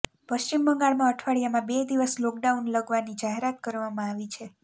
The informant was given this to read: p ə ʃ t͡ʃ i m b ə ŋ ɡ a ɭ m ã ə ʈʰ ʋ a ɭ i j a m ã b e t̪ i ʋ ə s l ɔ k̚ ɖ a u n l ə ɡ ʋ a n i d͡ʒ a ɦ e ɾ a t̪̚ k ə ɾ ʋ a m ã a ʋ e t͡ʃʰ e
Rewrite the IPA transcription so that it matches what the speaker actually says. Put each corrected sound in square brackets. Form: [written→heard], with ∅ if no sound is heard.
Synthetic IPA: p ə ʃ t͡ʃ i m b ə ŋ ɡ a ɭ m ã ə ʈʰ ʋ a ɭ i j a m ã b e [t̪→d̪] i ʋ ə s l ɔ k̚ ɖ a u n l ə ɡ ʋ a n i d͡ʒ a ɦ e ɾ a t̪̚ k ə ɾ ʋ a m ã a ʋ [e→i] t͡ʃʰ e